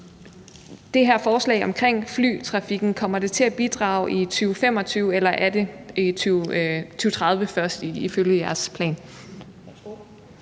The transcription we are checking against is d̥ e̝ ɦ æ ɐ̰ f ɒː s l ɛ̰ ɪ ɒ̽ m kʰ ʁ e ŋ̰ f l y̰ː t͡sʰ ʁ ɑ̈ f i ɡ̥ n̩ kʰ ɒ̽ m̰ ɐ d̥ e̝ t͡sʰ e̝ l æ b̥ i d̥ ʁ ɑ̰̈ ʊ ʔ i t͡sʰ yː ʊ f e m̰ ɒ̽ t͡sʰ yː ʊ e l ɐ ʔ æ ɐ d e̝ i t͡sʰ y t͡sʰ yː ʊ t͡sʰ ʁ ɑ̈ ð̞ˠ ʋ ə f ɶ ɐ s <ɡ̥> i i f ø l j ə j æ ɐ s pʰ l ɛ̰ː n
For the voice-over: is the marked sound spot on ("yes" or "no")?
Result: no